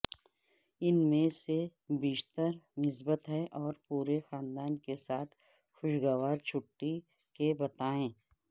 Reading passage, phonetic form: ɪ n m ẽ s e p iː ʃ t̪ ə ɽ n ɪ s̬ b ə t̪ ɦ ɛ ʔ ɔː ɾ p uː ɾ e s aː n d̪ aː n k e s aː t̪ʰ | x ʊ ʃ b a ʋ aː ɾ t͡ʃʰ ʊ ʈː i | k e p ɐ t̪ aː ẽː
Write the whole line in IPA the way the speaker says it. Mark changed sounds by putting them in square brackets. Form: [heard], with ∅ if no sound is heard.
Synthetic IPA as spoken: ɪ n m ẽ s e [b] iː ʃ t̪ ə [ɾ] n ɪ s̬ b ə t̪ ɦ ɛ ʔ ɔː ɾ p uː ɾ e [x] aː n d̪ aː n k e s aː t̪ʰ | x ʊ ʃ [ɡ] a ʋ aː ɾ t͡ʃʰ ʊ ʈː i | k e [b] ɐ t̪ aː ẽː

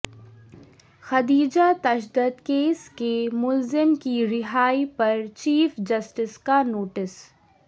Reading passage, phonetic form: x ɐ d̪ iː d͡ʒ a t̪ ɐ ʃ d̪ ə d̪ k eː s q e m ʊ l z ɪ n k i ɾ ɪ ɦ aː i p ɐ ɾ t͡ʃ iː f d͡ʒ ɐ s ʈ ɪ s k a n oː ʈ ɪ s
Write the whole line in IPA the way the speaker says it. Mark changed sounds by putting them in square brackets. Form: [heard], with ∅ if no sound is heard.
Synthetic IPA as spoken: x ɐ d̪ iː d͡ʒ a t̪ ɐ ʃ d̪ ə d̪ k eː s [k] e m ʊ l z ɪ [m] k i ɾ ɪ ɦ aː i p ɐ ɾ t͡ʃ iː f d͡ʒ ɐ s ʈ ɪ s k a n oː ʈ ɪ s

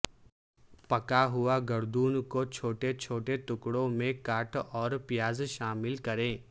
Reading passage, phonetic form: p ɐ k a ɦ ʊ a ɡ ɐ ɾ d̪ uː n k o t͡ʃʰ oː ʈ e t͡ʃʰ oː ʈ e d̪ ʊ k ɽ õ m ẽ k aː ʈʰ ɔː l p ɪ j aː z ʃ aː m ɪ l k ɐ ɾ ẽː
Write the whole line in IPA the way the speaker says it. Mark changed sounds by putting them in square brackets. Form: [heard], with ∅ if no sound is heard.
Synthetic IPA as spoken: p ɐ k a ɦ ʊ a ɡ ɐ ɾ d̪ uː n k o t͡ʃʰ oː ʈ e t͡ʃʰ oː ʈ e [t̪] ʊ k ɽ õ m ẽ k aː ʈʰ ɔː [ɾ] p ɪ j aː z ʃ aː m ɪ l k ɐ ɾ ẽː

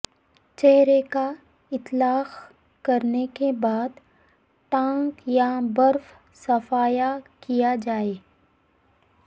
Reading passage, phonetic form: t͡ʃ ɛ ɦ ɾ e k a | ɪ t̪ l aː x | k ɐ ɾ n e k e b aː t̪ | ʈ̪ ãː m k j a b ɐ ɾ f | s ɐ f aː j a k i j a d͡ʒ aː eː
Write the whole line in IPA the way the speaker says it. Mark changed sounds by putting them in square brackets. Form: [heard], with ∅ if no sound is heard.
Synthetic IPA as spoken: t͡ʃ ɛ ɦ ɾ e k a | ɪ t̪ l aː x | k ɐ ɾ n e k e b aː [d̪] | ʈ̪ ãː [ŋ] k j a b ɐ ɾ f | s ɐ f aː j a k i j a d͡ʒ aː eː

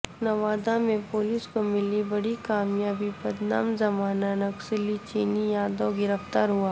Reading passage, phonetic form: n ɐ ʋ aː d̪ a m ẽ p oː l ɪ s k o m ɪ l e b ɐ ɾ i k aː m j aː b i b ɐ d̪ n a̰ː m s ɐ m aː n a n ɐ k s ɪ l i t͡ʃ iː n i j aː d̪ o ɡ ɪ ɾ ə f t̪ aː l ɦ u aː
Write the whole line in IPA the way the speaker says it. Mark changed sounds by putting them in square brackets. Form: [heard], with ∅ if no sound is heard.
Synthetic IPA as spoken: n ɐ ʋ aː d̪ a m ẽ p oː l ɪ s k o m ɪ l [i] b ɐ [ɽ] i k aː m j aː b i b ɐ d̪ n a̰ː m [z] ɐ m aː n a n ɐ k s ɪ l i t͡ʃ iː n i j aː d̪ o ɡ ɪ ɾ ə f t̪ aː [ɾ] ɦ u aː

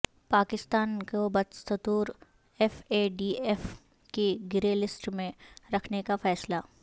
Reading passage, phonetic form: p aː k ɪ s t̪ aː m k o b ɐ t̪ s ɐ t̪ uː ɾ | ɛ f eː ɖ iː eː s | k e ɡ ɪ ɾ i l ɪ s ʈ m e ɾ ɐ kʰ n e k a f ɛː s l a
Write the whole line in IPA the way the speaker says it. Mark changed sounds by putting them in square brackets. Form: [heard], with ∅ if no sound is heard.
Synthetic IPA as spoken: p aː k ɪ s t̪ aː [n] k o b ɐ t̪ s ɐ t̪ uː ɾ | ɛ f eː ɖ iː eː [f] | k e ɡ ɪ ɾ [e] l ɪ s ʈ m [ẽ] ɾ ɐ kʰ n e k a f ɛː s l a

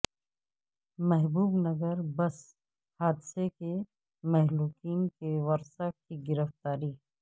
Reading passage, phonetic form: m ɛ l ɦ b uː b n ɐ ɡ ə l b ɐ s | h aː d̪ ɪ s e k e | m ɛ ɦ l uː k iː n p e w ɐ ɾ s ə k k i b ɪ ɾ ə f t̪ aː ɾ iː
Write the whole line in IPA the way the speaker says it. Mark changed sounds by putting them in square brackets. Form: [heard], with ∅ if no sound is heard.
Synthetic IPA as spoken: m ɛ [∅] ɦ b uː b n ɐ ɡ ə [ɾ] b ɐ s | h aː d̪ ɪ s e k e | m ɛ ɦ l uː k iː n [k] e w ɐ ɾ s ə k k i [ɡ] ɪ ɾ ə f t̪ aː ɾ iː

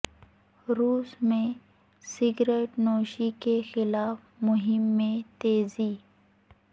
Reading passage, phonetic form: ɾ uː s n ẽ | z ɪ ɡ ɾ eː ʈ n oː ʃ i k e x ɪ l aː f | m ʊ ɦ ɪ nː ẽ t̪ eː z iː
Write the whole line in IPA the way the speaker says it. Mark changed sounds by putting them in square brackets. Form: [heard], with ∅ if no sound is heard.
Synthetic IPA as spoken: ɾ uː s [m] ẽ | [s] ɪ ɡ ɾ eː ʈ n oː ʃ i k e x ɪ l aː f | m ʊ ɦ ɪ [mː] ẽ t̪ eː z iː

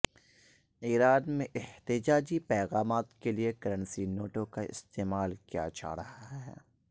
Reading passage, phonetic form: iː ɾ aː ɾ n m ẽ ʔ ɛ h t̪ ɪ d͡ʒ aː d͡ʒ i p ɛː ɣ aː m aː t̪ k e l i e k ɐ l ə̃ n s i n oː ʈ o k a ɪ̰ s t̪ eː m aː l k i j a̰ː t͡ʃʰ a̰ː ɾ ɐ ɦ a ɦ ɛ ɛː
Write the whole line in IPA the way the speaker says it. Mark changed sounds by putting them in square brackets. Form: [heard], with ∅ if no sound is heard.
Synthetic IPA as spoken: iː ɾ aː [∅] n m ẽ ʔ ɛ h t̪ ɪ d͡ʒ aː d͡ʒ i p ɛː ɣ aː m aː t̪ k e l i e k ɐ [ɾ] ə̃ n s i n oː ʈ o k a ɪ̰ s t̪ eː m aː l k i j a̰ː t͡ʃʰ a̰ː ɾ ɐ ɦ a ɦ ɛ ɛː

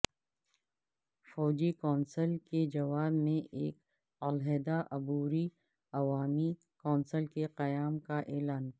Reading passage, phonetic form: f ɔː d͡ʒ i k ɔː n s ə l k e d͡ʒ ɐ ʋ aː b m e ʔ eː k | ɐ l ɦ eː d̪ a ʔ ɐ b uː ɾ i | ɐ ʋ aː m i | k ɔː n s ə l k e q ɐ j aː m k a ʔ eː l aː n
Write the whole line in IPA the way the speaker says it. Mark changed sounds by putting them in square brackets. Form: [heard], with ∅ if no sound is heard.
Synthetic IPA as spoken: f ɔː d͡ʒ i k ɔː n s ə l k e d͡ʒ ɐ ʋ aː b m [ẽ] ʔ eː k | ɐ l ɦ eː d̪ a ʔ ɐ b uː ɾ i | ɐ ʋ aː m i | k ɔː n s ə l k e q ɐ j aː m k a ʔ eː l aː n

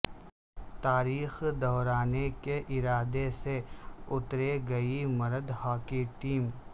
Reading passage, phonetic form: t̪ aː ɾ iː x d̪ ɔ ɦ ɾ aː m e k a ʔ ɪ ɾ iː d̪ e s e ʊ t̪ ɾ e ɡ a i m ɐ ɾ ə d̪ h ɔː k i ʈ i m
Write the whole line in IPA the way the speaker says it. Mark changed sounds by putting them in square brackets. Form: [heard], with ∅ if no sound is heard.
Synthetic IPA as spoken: t̪ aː ɾ iː x d̪ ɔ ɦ ɾ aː [n] e k [e] ʔ ɪ ɾ [aː] d̪ e s e ʊ t̪ ɾ e ɡ [ɐ] i m ɐ ɾ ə d̪ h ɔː k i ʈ [iː] m

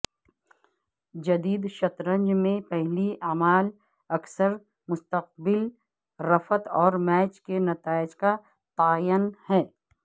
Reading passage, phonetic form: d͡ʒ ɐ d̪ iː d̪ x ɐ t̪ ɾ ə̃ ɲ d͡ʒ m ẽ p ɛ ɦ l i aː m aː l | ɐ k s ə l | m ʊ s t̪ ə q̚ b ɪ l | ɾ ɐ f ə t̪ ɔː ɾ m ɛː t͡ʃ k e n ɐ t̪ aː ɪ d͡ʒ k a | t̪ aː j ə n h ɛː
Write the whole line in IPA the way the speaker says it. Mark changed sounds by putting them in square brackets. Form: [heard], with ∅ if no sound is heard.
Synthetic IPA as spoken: d͡ʒ ɐ d̪ iː d̪ [ʃ] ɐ t̪ ɾ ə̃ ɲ d͡ʒ m ẽ p ɛ ɦ l i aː m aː l | ɐ k s ə [ɾ] | m ʊ s t̪ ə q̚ b ɪ l | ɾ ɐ f ə t̪ ɔː ɾ m ɛː t͡ʃ k e n ɐ t̪ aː ɪ d͡ʒ k a | t̪ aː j ə n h ɛː

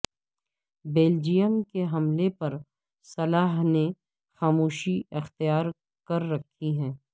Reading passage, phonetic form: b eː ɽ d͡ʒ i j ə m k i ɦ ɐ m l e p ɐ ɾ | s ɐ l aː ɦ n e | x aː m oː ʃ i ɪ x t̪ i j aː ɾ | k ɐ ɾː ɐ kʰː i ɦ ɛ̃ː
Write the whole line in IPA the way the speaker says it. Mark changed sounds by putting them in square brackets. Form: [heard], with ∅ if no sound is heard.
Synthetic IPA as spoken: b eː [l] d͡ʒ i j ə m k [e] ɦ ɐ m l e p ɐ ɾ | s ɐ l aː ɦ n e | x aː m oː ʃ i ɪ x t̪ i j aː ɾ | k ɐ ɾː ɐ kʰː i ɦ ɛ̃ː

